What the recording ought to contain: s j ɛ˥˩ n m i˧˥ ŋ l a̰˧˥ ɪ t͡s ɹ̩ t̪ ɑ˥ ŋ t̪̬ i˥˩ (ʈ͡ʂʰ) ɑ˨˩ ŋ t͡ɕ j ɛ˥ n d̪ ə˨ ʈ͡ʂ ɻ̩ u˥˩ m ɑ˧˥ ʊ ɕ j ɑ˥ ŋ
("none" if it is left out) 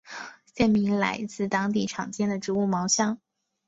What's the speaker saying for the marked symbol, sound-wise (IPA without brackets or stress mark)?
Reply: ʈ͡ʂʰ